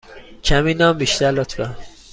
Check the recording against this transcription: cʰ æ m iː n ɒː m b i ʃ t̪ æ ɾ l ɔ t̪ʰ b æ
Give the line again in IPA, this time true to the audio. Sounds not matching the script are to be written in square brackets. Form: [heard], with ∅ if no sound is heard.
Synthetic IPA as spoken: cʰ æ m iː n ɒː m b i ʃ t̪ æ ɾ l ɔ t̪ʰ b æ